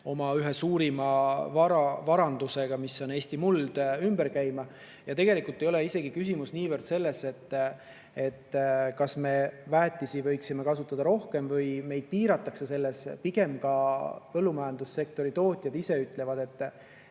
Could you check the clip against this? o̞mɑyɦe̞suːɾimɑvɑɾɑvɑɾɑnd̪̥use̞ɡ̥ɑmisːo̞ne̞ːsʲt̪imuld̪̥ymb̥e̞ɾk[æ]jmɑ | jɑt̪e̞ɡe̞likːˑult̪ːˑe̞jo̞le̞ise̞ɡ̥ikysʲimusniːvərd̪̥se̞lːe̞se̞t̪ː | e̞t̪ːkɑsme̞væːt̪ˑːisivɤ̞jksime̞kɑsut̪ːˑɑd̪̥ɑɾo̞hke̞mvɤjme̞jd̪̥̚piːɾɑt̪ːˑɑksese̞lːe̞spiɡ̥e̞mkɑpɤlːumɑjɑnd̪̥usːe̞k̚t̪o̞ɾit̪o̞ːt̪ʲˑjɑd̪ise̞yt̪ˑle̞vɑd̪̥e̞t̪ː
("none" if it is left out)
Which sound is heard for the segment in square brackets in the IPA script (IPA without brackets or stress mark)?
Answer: æ